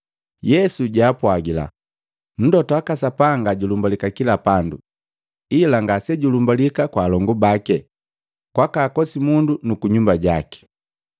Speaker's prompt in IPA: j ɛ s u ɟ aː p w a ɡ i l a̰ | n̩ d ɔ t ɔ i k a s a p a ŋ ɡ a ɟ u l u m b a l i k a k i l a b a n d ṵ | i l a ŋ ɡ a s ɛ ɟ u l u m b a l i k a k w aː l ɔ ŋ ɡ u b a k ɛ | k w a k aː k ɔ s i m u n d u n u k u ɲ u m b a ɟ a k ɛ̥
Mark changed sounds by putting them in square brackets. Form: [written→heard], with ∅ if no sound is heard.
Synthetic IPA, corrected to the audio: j ɛ s u ɟ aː p w a ɡ i l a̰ | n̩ d ɔ t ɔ [i→a] k a s a p a ŋ ɡ a ɟ u l u m b a l i k a k i l a [b→p] a n d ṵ | i l a ŋ ɡ a s ɛ ɟ u l u m b a l i k a k w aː l ɔ ŋ ɡ u b a k ɛ | k w a k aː k ɔ s i m u n d u n u k u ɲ u m b a ɟ a k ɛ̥